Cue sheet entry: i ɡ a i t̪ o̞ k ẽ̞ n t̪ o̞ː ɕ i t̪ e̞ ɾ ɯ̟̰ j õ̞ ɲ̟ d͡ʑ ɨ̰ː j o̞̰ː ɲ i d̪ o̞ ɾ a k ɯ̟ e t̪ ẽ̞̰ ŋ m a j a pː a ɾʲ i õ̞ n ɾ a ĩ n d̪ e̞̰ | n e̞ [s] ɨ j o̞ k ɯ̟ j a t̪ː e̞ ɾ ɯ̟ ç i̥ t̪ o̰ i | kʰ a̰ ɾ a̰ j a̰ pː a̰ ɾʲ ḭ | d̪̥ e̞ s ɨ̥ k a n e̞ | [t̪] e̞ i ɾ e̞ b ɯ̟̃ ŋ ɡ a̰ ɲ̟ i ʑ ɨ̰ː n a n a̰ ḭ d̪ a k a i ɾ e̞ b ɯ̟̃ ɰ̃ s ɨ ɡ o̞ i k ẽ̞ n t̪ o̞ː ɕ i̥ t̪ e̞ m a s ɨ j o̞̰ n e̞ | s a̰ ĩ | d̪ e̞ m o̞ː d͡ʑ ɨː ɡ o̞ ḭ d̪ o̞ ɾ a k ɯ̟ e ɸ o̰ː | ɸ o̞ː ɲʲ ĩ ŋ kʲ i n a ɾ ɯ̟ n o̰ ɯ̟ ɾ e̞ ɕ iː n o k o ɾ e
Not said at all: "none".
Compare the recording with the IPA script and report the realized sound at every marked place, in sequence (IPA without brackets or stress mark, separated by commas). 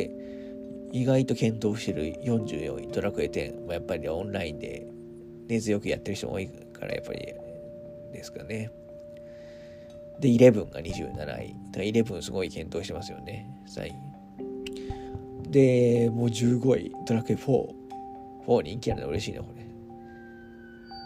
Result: z, d̪